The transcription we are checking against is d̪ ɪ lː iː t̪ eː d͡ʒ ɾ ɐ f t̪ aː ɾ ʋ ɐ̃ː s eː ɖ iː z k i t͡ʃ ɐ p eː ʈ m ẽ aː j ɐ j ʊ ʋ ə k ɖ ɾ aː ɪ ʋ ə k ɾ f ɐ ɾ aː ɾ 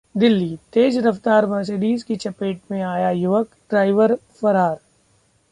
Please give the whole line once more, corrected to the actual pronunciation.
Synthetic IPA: d̪ ɪ lː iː t̪ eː d͡ʒ ɾ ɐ f t̪ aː ɾ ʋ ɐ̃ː s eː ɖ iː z k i t͡ʃ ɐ p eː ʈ m ẽ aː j a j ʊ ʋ ə k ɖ ɾ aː ɪ ʋ ə ɾ f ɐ ɾ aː ɾ